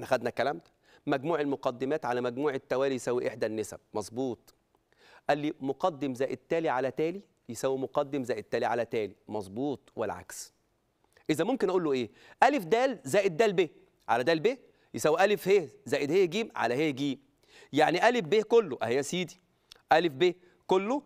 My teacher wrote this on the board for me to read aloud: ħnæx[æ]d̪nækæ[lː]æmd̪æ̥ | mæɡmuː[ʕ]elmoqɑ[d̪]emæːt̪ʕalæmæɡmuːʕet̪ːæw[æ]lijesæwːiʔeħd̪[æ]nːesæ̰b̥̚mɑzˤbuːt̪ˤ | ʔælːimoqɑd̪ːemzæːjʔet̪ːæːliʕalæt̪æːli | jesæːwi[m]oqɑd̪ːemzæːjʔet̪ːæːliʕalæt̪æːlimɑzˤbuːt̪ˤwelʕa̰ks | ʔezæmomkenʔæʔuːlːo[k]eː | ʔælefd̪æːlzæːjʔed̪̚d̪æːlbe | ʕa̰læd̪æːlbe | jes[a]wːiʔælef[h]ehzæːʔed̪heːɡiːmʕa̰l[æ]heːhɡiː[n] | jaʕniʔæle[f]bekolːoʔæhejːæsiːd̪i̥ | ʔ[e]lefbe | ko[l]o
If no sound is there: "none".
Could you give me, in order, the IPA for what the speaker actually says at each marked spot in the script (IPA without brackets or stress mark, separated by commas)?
æ, l, ʕ, d̪ː, æː, æ, m, ʔ, æ, h, æ, m, f, æ, lː